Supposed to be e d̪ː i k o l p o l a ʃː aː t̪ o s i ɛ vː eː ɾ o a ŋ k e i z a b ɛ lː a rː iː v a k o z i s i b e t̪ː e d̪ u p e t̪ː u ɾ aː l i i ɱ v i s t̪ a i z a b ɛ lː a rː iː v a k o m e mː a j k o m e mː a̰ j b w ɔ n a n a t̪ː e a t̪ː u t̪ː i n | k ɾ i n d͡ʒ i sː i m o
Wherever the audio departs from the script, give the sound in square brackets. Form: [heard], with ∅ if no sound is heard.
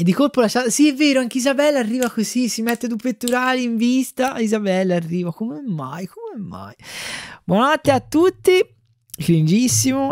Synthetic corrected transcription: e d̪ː i k o l p o l a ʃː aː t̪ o s i ɛ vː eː ɾ o a ŋ k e i z a b ɛ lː a rː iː v a k o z i s i [m] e t̪ː e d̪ u p e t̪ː u ɾ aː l i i ɱ v i s t̪ a i z a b ɛ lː a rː iː v a k o m e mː a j k o m e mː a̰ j b w ɔ n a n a t̪ː e a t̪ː u t̪ː i [∅] | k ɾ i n d͡ʒ i sː i m o